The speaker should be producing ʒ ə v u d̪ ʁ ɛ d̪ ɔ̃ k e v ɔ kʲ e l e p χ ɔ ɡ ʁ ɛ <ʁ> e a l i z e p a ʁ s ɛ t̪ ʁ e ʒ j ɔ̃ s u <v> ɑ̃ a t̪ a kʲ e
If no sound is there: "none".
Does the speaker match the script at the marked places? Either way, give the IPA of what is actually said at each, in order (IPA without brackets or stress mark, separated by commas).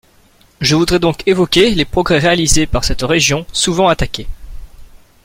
ʁ, v